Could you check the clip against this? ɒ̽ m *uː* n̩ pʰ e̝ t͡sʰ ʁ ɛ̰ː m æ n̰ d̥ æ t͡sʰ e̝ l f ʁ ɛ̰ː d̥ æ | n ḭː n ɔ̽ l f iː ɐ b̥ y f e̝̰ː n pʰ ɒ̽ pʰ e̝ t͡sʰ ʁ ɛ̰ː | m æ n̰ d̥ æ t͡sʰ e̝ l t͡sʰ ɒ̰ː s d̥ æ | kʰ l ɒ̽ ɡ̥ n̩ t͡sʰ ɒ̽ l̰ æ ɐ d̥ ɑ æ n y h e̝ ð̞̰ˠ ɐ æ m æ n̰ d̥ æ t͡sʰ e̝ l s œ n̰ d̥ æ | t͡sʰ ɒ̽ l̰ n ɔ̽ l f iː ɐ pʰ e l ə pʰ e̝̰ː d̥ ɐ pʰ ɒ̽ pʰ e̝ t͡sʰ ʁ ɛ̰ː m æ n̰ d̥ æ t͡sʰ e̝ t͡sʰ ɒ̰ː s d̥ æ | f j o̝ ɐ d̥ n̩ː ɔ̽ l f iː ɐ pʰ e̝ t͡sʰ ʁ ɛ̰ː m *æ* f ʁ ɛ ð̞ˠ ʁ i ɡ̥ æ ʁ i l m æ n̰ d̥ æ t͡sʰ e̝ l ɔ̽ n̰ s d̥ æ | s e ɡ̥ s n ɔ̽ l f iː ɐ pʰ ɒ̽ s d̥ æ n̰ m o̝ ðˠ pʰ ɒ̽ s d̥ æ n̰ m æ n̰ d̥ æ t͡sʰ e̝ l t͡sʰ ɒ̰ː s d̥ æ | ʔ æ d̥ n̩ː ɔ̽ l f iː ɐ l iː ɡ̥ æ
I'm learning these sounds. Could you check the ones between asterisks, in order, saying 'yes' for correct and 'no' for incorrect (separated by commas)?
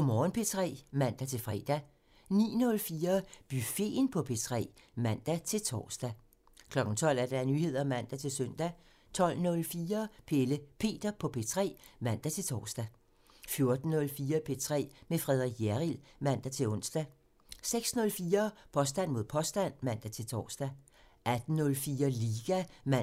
no, no